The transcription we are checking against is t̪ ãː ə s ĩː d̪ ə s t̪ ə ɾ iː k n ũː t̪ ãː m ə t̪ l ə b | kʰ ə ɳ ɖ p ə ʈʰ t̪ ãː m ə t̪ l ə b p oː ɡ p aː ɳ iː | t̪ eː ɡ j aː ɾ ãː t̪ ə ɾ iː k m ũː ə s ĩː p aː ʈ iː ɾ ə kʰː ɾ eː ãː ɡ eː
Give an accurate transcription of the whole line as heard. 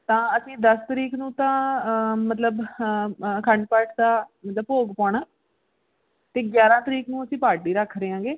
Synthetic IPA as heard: t̪ ãː ə s ĩː d̪ ə s t̪ ə ɾ iː k n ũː t̪ ãː m ə t̪ l ə b | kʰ ə ɳ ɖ p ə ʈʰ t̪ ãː m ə t̪ l ə b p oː ɡ p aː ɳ aː | t̪ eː ɡ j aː ɾ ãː t̪ ə ɾ iː k n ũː ə s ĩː p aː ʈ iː ɾ ə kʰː ɾ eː ãː ɡ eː